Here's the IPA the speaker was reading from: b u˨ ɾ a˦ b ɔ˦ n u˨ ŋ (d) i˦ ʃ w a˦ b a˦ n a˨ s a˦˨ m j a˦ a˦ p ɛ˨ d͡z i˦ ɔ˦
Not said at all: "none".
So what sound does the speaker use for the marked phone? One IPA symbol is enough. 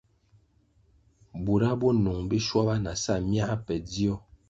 b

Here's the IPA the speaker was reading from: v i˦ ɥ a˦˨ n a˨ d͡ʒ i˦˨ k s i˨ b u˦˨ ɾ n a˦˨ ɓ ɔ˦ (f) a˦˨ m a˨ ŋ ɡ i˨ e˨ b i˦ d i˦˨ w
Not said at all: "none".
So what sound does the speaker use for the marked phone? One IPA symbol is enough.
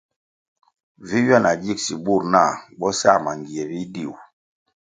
s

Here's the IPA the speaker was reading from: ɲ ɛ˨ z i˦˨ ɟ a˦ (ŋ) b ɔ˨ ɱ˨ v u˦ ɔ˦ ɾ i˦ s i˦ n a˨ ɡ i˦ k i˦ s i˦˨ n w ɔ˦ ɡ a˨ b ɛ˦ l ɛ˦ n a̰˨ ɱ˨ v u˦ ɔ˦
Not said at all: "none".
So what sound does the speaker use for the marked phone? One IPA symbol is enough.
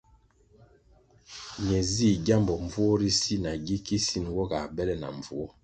m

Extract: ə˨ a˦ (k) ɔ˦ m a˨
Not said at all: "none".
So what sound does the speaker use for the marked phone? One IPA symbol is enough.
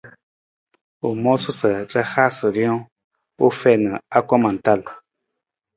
k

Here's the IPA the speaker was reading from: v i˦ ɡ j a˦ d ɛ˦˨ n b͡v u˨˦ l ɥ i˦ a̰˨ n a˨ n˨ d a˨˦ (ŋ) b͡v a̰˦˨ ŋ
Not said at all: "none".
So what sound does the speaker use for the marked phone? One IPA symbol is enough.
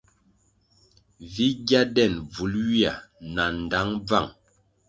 ŋ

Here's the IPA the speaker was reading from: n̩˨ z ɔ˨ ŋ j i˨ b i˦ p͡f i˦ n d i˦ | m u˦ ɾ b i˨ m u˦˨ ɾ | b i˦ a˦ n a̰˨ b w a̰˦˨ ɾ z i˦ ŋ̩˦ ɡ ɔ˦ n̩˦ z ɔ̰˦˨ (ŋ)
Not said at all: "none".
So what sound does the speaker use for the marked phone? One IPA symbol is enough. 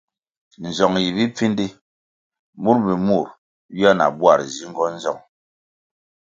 ŋ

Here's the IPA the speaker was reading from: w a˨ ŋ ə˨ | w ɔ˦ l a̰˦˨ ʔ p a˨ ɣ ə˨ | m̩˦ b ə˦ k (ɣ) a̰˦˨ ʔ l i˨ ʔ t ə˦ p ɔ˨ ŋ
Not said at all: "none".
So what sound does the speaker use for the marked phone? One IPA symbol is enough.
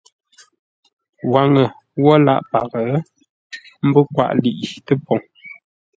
w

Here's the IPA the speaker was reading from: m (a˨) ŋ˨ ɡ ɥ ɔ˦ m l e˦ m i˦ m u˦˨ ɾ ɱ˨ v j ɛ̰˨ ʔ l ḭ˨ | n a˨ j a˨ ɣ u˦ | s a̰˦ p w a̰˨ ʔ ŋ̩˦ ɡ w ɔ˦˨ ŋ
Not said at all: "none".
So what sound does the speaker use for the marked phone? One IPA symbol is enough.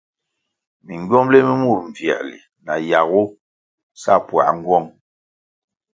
i˨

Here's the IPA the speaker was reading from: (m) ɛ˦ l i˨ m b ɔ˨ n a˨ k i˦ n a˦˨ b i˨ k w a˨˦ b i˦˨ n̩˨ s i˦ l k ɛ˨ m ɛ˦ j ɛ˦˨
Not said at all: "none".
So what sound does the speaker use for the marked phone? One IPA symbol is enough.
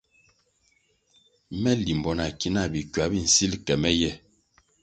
m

